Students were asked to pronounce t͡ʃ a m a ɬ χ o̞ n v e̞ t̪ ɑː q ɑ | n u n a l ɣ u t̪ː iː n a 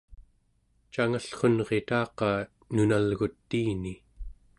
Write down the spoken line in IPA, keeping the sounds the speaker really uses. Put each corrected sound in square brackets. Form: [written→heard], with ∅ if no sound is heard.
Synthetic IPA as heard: t͡ʃ a [m→ŋ] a ɬ χ o̞ n [v→ʁ] e̞ t̪ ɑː q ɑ | n u n a l ɣ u t̪ː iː n [a→i]